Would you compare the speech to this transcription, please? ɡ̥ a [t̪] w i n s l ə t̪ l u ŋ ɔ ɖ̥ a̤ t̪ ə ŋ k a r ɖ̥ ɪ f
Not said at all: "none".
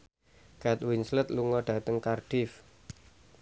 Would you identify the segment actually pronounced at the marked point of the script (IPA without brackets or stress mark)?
t̪